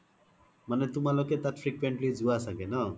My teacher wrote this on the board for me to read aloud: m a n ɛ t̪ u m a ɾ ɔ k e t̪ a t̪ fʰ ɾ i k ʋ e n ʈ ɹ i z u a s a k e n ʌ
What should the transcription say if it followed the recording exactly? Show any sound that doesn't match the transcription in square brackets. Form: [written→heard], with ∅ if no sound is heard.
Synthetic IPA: m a n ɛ t̪ u m a [ɾ→l] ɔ k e t̪ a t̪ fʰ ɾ i k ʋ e [n→ɳ] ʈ [ɹ→l] i [z→d͡z] u a s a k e n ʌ